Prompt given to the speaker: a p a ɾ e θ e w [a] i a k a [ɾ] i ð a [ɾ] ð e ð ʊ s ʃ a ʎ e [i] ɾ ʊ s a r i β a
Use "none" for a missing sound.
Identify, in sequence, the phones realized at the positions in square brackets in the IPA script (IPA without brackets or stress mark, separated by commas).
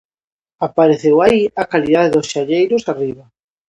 a, l, none, j